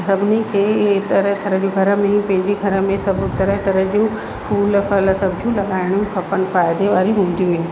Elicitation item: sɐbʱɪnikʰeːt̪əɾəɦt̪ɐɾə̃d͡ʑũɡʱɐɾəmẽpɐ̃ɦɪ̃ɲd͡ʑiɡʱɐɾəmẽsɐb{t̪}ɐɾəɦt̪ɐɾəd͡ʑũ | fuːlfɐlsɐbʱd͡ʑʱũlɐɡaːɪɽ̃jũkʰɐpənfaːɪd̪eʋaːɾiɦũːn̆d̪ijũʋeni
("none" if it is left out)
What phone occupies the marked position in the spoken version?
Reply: t̪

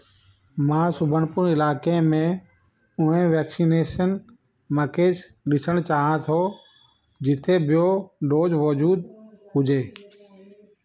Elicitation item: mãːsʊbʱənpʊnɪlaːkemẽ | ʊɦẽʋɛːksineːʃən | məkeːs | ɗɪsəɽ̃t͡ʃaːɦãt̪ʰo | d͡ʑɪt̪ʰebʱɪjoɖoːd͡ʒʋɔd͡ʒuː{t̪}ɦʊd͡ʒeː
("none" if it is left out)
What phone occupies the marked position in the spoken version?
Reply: d̪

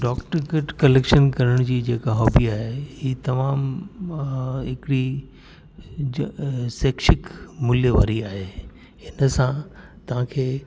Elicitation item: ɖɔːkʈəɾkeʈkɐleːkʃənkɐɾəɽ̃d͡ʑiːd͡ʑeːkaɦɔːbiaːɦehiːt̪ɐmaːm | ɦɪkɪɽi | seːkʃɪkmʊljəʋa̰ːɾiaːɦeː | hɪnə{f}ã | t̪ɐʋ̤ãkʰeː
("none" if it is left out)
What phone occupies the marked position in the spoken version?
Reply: s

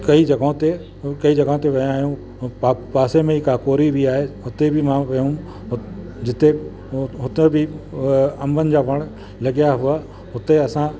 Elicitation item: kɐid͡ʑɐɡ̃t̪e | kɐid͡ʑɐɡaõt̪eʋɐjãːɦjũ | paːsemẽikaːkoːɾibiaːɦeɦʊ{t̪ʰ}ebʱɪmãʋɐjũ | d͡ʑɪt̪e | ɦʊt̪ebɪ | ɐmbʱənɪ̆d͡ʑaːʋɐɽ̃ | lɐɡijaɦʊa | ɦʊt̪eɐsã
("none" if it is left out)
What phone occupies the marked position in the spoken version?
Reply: t̪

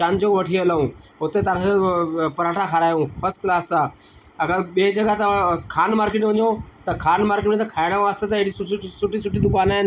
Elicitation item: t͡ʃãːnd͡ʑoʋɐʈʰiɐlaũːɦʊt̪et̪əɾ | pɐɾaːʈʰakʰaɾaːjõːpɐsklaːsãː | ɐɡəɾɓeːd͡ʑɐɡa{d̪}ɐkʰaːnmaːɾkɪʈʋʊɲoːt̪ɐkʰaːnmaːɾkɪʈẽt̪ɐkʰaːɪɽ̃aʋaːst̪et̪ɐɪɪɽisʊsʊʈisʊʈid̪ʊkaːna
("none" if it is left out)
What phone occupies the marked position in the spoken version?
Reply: t̪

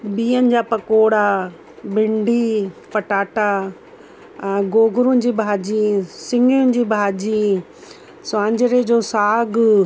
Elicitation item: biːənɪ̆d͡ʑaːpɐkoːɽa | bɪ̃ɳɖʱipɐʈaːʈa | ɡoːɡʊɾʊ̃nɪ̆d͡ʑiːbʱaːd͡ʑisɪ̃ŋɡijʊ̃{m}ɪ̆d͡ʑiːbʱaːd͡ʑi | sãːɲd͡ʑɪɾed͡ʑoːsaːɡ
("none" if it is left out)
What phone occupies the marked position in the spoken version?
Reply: n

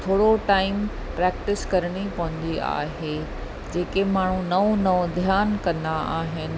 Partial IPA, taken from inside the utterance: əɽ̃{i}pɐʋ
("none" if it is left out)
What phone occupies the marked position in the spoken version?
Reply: i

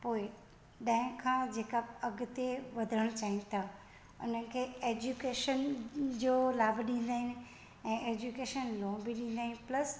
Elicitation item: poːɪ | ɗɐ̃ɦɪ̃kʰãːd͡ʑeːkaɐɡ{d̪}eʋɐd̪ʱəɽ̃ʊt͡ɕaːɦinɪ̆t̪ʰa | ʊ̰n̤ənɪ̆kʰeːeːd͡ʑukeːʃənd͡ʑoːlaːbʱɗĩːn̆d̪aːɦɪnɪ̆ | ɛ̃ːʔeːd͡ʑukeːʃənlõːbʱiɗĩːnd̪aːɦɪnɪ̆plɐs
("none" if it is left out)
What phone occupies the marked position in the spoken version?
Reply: t̪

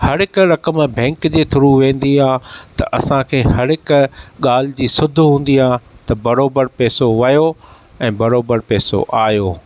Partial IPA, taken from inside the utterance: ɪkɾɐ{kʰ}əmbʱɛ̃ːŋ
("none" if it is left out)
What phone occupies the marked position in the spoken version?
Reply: k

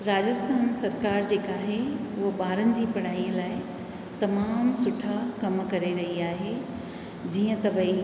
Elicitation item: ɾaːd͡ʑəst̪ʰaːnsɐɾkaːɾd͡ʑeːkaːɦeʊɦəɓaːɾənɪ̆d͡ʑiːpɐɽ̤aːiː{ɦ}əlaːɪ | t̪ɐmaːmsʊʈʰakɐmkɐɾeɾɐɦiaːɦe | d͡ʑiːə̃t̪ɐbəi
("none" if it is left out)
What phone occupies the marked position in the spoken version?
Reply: none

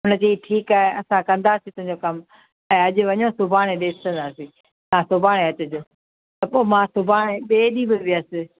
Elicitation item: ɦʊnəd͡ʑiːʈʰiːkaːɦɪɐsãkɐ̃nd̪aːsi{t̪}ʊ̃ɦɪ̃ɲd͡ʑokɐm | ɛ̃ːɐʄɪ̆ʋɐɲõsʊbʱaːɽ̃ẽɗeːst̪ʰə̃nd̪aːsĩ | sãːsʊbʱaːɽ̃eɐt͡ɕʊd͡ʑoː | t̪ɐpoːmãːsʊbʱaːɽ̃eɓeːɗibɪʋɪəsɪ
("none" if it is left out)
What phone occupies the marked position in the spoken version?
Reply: t̪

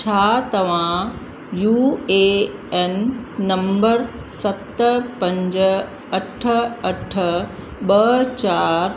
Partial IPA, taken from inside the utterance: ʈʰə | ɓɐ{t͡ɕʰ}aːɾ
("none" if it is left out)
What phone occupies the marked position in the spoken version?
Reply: t͡ɕ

